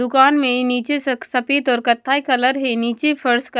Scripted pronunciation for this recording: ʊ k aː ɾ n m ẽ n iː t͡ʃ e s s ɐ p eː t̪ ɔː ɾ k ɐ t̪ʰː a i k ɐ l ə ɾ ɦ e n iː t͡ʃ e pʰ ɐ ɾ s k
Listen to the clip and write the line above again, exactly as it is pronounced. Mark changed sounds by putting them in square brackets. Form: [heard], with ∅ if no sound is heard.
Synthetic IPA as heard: ʊ k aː [∅] n m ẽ n iː t͡ʃ e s s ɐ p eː t̪ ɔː ɾ k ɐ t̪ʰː a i k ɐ l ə ɾ ɦ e n iː t͡ʃ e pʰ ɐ ɾ s k